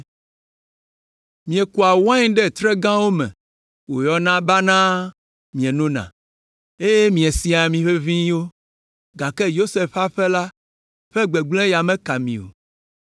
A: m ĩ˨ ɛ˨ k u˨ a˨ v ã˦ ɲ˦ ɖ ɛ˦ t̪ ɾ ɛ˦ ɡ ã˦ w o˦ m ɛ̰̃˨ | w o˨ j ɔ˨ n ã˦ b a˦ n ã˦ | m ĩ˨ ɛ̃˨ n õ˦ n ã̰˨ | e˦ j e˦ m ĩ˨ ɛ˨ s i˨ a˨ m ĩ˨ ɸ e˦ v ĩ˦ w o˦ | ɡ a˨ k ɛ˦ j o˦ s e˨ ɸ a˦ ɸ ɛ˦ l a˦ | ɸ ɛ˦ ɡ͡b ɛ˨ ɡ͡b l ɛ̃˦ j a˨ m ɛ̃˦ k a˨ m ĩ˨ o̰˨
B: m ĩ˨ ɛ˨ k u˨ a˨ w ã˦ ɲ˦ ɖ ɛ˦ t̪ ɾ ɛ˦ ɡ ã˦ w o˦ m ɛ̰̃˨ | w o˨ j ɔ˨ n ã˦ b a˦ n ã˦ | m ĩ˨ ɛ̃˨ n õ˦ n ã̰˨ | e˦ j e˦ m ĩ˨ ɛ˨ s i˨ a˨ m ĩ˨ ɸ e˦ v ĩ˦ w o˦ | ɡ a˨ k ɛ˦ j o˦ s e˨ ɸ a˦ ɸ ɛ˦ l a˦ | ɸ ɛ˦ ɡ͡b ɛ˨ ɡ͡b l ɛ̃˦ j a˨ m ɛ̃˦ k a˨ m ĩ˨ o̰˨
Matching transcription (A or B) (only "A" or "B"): B